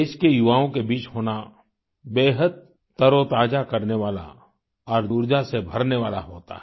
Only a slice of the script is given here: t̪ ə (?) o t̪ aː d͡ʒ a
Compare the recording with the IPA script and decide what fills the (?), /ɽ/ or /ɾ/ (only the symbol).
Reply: ɾ